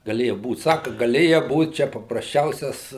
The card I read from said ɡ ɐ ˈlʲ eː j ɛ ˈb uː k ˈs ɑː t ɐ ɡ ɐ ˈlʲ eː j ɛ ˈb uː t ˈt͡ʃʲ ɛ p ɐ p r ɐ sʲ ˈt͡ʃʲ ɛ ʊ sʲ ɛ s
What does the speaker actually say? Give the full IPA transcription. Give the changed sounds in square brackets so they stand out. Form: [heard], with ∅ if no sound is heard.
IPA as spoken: ɡ ɐ ˈlʲ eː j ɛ ˈb uː [t] ˈs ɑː [k] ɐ ɡ ɐ ˈlʲ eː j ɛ ˈb uː t ˈt͡ʃʲ ɛ p ɐ p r ɐ sʲ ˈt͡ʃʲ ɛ ʊ sʲ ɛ s